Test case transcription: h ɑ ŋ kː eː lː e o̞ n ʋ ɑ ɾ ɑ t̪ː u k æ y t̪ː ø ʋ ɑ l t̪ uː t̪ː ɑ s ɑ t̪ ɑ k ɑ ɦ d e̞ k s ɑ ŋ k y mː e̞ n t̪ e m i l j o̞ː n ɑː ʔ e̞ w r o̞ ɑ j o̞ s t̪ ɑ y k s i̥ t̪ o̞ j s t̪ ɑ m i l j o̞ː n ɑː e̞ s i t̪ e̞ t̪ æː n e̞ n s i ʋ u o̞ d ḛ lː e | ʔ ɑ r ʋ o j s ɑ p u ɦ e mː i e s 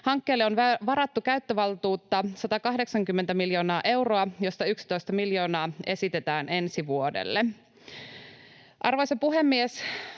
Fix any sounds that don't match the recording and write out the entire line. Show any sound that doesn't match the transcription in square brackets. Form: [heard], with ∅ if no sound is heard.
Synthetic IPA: h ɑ ŋ kː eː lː e o̞ n ʋ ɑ ɾ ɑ t̪ː u k æ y t̪ː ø ʋ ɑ l t̪ uː t̪ː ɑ s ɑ t̪ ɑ k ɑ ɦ d e̞ k s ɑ ŋ k y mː e̞ n t̪ [æ] m i l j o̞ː n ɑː ʔ e̞ w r o̞ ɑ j o̞ s t̪ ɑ y k s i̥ t̪ o̞ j s t̪ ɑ m i l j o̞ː n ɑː e̞ s i t̪ e̞ t̪ æː n e̞ n s i ʋ u o̞ d ḛ lː e | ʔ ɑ r ʋ o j s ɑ p u ɦ e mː i e s